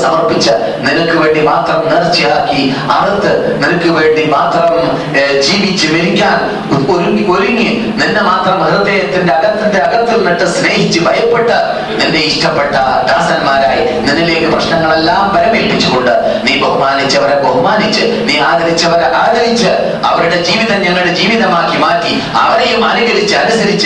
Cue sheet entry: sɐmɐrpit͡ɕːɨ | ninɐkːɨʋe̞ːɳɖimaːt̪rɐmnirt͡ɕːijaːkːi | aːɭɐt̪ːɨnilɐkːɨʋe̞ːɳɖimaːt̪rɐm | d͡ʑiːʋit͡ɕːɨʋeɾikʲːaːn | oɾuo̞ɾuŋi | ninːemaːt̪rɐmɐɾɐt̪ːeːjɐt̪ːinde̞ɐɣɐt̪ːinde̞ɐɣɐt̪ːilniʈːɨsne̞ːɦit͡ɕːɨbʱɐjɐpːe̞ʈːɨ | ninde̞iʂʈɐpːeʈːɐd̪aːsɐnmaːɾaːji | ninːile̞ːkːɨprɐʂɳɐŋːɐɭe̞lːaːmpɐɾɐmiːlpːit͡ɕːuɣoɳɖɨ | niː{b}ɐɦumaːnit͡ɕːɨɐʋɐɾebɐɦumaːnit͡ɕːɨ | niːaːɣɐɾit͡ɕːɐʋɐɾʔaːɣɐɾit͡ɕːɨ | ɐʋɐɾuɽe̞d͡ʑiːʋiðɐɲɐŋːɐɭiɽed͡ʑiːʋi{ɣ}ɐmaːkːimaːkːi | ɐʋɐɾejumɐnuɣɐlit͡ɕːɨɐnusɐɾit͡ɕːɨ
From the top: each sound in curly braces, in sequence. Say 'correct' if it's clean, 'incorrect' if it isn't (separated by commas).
correct, incorrect